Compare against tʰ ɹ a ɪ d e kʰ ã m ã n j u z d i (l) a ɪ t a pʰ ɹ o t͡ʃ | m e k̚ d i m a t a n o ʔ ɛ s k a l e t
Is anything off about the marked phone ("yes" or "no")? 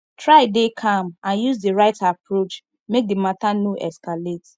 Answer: yes